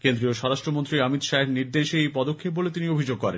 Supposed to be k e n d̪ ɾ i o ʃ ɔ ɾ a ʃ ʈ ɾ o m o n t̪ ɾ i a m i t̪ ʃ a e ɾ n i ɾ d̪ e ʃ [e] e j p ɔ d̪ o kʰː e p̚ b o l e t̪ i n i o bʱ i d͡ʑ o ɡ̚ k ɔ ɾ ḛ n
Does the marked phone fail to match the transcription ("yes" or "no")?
no